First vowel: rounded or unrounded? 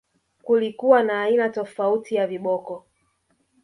rounded